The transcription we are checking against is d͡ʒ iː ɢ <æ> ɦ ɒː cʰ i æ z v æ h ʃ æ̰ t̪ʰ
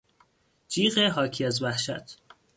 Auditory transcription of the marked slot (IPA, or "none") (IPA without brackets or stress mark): e